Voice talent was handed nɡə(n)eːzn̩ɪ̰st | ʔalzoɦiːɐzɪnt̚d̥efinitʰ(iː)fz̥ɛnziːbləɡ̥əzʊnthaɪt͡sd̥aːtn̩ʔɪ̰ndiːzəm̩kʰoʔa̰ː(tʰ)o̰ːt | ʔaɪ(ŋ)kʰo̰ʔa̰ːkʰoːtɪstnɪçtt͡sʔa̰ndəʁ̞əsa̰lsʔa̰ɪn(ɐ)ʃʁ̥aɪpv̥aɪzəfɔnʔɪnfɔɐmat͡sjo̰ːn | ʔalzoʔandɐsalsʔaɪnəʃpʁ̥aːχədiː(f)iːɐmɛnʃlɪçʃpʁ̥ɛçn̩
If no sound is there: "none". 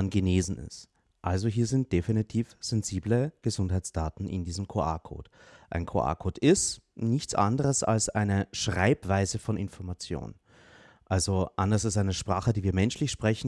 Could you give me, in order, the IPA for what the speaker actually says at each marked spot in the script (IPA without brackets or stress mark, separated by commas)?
n, iː, kʰ, n, ə, v